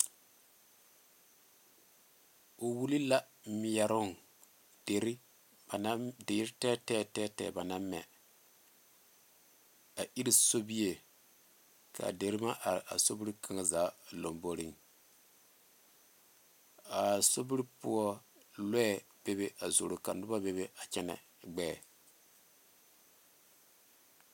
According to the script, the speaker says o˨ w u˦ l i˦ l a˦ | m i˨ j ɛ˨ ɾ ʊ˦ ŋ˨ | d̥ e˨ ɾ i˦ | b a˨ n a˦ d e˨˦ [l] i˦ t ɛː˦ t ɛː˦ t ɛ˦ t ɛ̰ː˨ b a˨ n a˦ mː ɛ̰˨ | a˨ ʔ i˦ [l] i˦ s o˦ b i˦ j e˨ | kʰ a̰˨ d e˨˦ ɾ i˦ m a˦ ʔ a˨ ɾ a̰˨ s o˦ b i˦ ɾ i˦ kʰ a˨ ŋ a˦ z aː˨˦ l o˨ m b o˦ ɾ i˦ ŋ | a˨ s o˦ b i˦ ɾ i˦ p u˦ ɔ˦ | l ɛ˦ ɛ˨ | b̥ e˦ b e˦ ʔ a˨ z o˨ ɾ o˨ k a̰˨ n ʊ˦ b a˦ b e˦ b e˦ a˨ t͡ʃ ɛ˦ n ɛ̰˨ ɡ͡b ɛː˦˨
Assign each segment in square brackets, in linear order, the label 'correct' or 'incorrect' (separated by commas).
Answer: incorrect, incorrect